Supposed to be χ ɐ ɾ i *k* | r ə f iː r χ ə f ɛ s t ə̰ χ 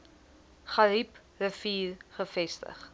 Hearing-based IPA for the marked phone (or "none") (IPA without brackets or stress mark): p